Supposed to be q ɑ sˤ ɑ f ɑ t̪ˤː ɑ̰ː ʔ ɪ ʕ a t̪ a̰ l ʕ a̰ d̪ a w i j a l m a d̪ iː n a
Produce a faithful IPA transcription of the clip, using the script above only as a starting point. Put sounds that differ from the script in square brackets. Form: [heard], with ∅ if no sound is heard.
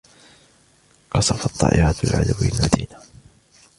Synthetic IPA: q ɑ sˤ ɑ f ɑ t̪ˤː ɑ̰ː ʔ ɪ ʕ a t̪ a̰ l ʕ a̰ d̪ a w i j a l m a d̪ iː n a